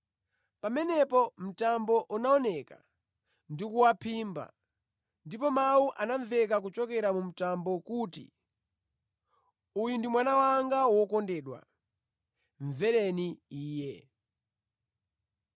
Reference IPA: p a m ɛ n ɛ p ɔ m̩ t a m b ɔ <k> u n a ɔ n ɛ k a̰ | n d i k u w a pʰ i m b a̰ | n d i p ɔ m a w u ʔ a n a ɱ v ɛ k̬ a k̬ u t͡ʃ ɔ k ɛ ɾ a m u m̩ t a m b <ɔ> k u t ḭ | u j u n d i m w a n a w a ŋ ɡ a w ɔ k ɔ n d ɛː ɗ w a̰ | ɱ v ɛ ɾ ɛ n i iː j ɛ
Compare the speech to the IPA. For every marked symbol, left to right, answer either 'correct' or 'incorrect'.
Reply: incorrect, correct

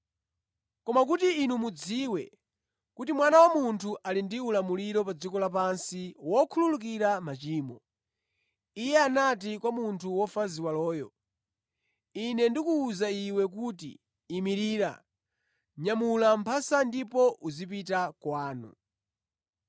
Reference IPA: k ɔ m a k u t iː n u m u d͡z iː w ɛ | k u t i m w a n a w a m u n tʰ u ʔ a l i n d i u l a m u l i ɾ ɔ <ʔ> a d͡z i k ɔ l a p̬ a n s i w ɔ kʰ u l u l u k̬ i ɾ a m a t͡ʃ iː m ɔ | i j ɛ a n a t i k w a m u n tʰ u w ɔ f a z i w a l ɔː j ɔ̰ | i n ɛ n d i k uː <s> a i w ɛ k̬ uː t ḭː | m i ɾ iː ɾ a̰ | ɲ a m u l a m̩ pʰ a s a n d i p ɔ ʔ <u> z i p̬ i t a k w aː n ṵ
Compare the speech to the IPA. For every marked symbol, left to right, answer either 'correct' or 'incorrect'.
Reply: incorrect, incorrect, correct

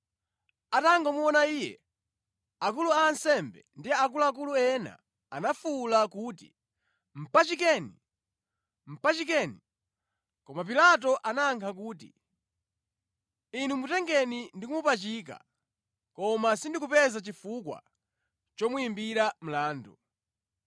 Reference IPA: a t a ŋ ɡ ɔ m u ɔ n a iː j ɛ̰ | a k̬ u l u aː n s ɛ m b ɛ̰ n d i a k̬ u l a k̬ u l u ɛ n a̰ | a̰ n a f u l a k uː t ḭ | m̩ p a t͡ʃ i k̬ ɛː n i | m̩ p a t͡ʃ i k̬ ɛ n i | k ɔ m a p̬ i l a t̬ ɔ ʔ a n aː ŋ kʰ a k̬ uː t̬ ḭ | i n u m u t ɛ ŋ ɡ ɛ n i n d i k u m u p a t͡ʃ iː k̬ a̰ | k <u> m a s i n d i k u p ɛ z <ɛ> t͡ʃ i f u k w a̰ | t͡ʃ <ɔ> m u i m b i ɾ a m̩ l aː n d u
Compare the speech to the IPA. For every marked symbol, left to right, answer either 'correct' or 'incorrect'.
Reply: incorrect, incorrect, correct

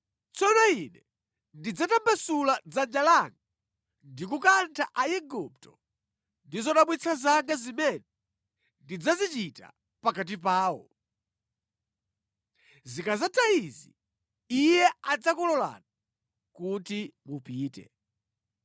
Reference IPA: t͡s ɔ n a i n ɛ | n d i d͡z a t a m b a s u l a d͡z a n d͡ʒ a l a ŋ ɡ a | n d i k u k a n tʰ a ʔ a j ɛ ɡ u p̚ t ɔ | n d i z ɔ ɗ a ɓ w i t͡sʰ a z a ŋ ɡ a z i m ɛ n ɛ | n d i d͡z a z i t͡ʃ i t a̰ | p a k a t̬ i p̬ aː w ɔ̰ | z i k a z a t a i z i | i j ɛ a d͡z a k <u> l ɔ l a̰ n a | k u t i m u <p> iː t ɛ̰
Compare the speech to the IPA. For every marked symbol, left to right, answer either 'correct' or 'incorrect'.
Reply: incorrect, correct

